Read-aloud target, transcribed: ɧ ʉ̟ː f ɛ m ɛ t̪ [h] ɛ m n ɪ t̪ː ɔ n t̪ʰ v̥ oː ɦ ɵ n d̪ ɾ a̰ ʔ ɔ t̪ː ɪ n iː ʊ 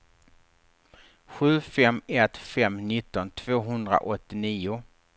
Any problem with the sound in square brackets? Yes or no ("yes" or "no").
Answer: yes